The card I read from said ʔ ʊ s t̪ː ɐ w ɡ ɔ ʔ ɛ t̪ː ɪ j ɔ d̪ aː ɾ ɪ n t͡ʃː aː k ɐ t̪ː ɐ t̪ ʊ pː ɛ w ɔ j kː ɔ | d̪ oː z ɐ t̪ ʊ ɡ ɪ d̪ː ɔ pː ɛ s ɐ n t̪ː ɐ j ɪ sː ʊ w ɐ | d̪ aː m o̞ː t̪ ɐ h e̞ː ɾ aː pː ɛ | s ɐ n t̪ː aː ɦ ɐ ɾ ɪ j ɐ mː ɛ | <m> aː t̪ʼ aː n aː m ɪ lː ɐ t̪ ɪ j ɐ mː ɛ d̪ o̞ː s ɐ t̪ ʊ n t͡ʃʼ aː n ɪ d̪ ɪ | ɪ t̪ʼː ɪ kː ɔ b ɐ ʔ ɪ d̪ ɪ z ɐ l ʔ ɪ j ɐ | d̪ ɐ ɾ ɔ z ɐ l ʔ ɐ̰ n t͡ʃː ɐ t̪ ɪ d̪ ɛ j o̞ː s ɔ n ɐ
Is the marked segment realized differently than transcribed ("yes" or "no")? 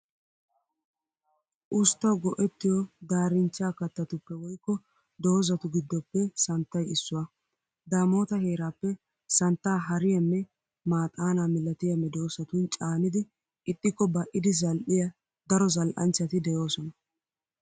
no